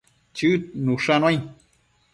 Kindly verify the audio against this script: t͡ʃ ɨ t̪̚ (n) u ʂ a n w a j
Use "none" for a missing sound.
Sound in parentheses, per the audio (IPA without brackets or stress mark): n